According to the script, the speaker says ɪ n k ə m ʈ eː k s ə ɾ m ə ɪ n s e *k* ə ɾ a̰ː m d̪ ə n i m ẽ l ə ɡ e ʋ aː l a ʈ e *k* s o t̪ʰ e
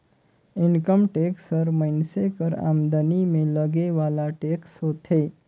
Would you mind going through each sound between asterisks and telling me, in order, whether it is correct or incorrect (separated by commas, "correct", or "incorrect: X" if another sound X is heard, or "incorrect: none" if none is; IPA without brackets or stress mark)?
correct, correct